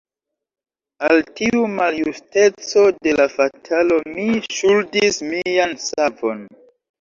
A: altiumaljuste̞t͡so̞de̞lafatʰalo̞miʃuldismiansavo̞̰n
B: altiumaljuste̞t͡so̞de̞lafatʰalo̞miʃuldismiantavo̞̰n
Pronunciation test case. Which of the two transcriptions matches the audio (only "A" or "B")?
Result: A